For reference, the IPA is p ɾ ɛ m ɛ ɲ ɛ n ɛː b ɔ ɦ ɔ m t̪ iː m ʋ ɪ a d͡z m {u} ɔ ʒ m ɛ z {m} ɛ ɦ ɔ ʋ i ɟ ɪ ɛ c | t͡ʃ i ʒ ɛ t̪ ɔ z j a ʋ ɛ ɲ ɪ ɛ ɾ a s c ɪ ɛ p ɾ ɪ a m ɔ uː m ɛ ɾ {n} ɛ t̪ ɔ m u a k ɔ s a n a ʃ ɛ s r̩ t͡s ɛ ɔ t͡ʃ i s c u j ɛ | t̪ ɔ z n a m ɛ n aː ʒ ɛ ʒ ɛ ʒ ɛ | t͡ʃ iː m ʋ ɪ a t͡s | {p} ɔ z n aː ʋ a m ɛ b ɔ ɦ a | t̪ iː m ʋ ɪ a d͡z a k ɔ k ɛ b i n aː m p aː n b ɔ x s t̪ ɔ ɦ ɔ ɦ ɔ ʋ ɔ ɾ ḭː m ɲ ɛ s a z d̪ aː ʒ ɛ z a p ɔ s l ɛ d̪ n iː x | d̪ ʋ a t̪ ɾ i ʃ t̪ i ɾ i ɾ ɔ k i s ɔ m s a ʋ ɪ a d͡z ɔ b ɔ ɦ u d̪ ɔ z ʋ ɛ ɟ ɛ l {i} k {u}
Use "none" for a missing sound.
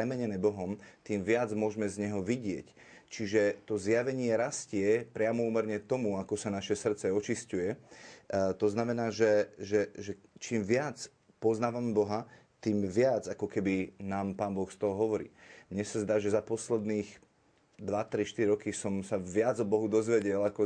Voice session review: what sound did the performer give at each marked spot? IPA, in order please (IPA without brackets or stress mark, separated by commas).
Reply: ʊ, ɲ, ɲ, p, a, ɔ